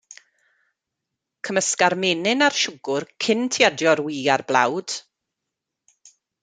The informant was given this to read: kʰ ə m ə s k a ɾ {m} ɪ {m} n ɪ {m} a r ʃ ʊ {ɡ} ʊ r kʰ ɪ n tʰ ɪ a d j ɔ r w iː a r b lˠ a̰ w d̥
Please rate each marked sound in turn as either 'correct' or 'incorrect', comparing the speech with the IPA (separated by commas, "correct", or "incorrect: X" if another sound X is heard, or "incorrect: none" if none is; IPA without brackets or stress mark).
correct, incorrect: none, incorrect: n, correct